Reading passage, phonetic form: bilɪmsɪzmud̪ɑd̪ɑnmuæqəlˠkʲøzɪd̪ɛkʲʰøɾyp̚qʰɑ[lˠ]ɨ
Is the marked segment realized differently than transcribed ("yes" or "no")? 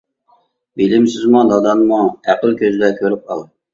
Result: no